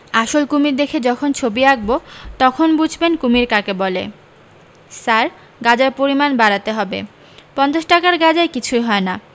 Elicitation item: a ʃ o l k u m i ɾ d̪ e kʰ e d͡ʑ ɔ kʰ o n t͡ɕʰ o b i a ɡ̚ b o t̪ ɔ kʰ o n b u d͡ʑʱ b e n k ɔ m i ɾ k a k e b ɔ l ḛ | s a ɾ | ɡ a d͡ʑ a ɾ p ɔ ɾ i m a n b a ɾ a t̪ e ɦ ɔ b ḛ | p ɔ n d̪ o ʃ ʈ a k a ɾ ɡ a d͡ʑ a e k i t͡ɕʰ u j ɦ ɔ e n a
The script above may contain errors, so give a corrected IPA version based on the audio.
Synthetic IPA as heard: a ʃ o l k u m i ɾ d̪ e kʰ e d͡ʑ ɔ kʰ o n t͡ɕʰ o b i a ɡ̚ b o t̪ ɔ kʰ o n b u d͡ʑʱ b e n k u m i ɾ k a k e b ɔ l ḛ | s a ɾ | ɡ a d͡ʑ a ɾ p o ɾ i m a n b a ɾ a t̪ e ɦ ɔ b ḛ | p ɔ n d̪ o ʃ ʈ a k a ɾ ɡ a d͡ʑ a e k i t͡ɕʰ u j ɦ ɔ e n a